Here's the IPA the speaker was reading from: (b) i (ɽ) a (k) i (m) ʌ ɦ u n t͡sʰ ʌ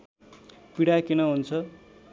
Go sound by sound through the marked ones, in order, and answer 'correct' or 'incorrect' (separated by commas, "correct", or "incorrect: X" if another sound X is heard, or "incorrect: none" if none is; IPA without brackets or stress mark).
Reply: incorrect: p, correct, correct, incorrect: n